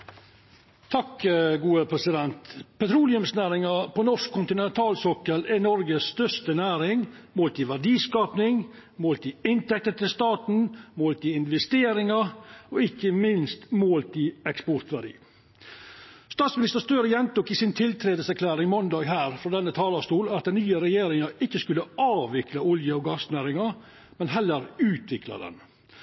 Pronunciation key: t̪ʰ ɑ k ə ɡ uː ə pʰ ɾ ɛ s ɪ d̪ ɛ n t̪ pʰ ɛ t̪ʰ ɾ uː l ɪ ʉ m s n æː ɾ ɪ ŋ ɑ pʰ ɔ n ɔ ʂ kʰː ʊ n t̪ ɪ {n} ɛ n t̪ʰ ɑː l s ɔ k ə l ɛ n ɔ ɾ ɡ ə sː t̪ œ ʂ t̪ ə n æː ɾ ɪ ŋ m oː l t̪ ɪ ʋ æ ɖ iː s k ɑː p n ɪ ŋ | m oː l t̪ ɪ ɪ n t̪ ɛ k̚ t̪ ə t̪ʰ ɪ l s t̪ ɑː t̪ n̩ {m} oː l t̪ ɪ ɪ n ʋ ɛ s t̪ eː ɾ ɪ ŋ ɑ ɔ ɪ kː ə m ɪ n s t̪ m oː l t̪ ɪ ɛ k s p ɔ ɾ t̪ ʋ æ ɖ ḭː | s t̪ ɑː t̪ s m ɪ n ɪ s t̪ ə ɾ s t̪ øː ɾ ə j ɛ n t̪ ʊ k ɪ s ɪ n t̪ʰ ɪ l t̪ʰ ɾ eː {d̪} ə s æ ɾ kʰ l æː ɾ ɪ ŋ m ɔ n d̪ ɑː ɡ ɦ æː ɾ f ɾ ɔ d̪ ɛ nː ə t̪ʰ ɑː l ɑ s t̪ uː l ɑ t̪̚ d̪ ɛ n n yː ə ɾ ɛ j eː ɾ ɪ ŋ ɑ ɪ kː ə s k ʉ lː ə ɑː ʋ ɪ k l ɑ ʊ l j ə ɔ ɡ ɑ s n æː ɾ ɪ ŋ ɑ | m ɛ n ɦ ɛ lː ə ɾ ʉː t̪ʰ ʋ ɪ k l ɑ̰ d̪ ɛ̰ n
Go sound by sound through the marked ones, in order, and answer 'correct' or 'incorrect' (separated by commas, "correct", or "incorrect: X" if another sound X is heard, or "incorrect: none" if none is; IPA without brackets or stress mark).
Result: correct, correct, correct